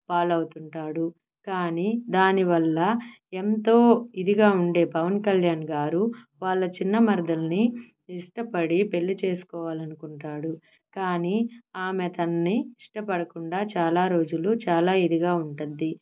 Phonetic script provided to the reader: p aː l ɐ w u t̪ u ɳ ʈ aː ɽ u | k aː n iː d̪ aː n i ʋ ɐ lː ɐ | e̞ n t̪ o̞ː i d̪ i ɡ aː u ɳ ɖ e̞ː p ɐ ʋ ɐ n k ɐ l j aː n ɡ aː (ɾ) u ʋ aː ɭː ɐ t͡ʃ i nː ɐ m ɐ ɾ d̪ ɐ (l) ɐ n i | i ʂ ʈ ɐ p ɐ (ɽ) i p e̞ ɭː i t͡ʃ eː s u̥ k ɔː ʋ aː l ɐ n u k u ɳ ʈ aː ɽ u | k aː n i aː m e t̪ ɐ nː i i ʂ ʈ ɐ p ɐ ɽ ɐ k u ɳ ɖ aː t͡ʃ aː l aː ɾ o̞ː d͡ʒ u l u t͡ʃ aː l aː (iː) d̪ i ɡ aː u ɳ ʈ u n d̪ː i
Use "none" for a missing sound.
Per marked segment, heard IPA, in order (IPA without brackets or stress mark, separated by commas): ɾ, l, ɽ, i